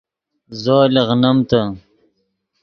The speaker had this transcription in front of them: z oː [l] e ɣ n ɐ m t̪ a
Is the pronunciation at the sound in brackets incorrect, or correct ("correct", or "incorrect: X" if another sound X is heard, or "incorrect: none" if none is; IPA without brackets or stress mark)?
correct